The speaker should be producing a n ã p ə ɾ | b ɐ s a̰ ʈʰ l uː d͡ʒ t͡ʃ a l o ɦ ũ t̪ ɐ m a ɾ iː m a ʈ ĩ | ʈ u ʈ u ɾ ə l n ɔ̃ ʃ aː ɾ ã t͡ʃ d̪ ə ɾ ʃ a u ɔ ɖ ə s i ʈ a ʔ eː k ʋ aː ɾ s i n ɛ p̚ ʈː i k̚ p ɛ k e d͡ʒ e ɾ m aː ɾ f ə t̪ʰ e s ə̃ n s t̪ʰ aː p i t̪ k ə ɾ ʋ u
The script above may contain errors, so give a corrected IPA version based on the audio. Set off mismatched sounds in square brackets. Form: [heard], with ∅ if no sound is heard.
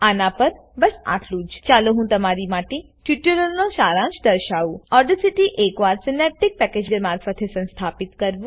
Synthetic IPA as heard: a n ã p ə ɾ | b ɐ s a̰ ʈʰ l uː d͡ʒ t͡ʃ a l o ɦ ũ t̪ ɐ m a ɾ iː m a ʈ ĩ | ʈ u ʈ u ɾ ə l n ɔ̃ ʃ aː ɾ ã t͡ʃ d̪ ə ɾ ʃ a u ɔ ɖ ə s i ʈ [i] ʔ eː k ʋ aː ɾ s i n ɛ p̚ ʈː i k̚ p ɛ k e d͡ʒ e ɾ m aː ɾ f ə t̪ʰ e s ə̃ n s t̪ʰ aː p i t̪ k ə ɾ ʋ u

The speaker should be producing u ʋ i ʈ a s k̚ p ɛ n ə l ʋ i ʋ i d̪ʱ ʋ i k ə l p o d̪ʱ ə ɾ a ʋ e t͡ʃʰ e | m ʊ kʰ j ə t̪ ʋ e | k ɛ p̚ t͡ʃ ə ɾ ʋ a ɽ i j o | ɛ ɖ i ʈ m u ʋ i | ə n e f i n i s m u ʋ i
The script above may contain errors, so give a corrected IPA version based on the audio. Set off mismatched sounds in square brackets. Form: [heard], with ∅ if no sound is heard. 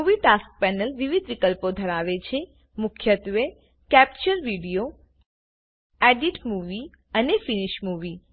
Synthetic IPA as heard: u ʋ i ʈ a s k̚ p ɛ n ə l ʋ i ʋ i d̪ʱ ʋ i k ə l p o d̪ʱ ə ɾ a ʋ e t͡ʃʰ e | m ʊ kʰ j ə t̪ ʋ e | k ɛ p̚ t͡ʃ ə ɾ ʋ [i] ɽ i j o | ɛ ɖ i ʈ m u ʋ i | ə n e f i n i [ʃ] m u ʋ i

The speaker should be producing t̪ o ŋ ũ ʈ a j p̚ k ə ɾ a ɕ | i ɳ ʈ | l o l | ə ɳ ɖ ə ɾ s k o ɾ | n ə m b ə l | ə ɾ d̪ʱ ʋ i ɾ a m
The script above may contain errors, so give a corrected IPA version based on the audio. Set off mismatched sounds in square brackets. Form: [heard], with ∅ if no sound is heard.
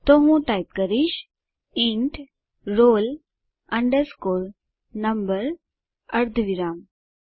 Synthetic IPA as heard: t̪ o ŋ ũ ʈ a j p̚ k ə ɾ [i] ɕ | i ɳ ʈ | [ɾ] o l | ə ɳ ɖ ə ɾ s k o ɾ | n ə m b ə [ɾ] | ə ɾ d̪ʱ ʋ i ɾ a m

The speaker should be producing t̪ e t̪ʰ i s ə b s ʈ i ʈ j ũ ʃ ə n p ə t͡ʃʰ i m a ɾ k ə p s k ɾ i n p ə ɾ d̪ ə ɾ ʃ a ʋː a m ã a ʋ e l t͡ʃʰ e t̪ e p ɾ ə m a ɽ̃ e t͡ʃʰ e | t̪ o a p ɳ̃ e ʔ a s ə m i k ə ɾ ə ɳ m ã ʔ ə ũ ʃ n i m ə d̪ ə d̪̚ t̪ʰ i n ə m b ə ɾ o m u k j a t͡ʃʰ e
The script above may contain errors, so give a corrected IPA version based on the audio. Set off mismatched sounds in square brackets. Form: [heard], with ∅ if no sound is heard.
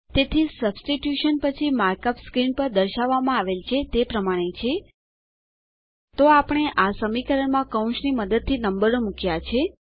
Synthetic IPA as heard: t̪ e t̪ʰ i s ə b s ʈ i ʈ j [u] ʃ ə n p ə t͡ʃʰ i m a ɾ k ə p s k ɾ i n p ə ɾ d̪ ə ɾ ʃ a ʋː a m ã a ʋ e l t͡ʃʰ e t̪ e p ɾ ə m a ɽ̃ e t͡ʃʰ e | t̪ o a p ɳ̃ e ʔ a s ə m i k ə ɾ ə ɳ m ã [k] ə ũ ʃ n i m ə d̪ ə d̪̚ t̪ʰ i n ə m b ə ɾ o m u k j a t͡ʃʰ e

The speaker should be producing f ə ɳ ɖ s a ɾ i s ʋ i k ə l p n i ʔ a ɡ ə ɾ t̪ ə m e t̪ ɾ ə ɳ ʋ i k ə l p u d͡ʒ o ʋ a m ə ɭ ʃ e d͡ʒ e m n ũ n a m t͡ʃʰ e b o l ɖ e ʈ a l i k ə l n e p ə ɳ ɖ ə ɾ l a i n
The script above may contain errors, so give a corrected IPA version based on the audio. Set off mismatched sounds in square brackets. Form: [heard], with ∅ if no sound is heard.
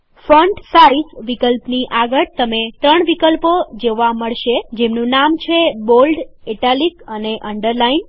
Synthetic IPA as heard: f ə ɳ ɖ s a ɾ i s ʋ i k ə l p n i ʔ a ɡ ə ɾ t̪ ə m e t̪ ɾ ə ɳ ʋ i k ə l p [o] d͡ʒ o ʋ a m ə ɭ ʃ e d͡ʒ e m n ũ n a m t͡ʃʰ e b o l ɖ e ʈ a l i k ə [∅] n e [ʔ] ə ɳ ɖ ə ɾ l a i n

